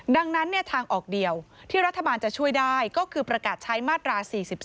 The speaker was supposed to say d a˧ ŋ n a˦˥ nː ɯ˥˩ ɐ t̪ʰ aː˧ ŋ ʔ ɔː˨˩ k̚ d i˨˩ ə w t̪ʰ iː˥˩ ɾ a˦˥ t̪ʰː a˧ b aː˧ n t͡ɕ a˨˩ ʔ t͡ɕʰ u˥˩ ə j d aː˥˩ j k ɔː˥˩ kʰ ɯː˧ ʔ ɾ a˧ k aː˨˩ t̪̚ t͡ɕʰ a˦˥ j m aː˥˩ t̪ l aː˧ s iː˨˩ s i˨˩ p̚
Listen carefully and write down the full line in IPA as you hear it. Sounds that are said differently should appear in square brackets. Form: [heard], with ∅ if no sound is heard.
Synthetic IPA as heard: d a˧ ŋ n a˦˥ nː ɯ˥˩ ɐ t̪ʰ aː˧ ŋ ʔ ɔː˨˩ k̚ d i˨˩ ə w t̪ʰ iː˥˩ ɾ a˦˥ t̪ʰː a˧ b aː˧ n t͡ɕ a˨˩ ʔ t͡ɕʰ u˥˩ ə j d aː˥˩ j k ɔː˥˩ kʰ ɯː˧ [p] ɾ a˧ k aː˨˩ t̪̚ t͡ɕʰ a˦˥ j m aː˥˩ t̪ [ɾ] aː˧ s iː˨˩ s i˨˩ p̚